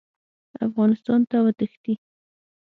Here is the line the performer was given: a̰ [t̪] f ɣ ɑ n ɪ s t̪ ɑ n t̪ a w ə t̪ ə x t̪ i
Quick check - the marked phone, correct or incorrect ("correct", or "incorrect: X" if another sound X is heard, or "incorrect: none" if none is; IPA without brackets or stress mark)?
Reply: incorrect: none